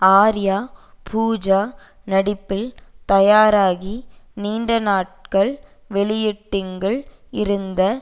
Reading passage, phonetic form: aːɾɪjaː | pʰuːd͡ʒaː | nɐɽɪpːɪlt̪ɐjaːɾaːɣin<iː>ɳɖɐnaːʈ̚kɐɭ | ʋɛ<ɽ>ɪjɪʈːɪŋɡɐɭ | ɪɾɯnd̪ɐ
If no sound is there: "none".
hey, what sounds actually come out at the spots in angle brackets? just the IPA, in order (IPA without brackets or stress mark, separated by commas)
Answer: iː, ɭ